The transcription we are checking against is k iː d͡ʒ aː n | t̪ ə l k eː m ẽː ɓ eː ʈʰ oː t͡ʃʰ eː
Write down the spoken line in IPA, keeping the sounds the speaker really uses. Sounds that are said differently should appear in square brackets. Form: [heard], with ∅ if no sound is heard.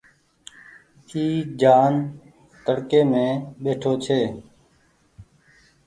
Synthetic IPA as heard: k iː d͡ʒ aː n | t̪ ə [ɽ] k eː m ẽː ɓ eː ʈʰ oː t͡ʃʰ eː